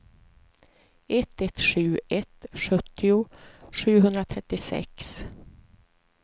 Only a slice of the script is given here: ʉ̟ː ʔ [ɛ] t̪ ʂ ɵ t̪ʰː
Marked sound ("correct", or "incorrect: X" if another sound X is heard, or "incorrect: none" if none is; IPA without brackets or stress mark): correct